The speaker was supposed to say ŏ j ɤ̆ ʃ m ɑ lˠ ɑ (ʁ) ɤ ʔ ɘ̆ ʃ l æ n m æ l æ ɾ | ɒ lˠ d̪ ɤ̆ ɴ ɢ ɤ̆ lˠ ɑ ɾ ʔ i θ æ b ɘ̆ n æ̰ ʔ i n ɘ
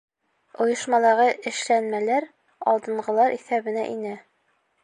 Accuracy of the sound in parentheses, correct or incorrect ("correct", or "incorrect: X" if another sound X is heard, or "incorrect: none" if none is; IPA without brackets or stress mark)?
correct